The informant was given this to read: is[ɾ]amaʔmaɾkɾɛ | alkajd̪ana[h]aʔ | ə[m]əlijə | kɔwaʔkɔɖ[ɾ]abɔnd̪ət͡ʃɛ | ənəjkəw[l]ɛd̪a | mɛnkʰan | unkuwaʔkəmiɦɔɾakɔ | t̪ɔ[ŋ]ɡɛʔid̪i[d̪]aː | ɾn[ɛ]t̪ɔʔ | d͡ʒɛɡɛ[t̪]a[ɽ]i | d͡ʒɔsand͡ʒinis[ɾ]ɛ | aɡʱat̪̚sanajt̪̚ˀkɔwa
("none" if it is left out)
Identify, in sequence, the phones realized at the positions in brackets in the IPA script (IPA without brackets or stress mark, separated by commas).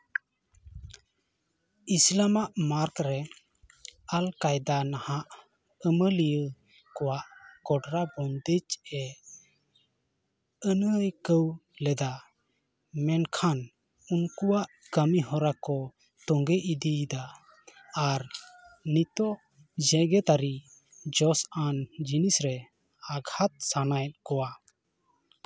l, h, m, ɾ, l, ŋ, d̪, i, t̪, ɾ, ɾ